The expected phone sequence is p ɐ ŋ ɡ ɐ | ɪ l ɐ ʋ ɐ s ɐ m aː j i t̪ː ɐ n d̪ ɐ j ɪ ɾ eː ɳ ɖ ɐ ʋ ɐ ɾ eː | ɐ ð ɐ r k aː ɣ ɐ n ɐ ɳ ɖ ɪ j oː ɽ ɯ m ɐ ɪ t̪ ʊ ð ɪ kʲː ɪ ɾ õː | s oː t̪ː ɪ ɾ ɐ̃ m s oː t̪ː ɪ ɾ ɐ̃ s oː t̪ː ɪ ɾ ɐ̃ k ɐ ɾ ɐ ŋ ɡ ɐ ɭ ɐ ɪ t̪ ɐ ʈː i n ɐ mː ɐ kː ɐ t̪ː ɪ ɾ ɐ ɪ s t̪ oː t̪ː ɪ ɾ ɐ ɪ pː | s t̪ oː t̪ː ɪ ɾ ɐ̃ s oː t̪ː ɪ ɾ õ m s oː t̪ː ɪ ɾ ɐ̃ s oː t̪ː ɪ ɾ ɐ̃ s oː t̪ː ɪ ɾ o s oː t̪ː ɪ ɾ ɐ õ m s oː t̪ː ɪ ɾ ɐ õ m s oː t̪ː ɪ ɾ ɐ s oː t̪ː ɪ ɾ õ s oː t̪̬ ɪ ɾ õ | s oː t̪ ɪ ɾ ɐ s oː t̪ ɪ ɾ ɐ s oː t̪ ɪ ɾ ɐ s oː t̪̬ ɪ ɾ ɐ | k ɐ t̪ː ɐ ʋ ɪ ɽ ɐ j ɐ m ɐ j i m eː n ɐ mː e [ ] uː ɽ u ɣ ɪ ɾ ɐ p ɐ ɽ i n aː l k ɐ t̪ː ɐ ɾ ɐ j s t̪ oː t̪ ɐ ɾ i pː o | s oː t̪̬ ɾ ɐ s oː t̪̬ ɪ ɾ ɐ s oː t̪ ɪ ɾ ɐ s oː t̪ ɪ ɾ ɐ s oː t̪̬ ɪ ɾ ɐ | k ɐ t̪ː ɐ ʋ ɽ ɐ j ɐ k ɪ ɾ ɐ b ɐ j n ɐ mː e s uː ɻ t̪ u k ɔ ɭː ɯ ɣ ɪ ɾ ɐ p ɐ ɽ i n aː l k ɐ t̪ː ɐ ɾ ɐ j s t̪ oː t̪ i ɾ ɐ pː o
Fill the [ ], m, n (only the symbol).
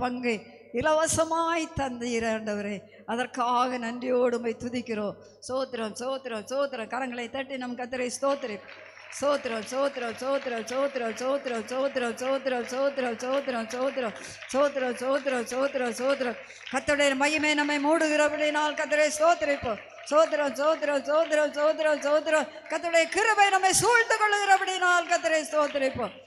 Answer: m